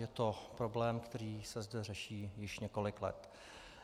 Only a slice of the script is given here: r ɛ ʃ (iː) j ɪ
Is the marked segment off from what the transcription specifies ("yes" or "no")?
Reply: no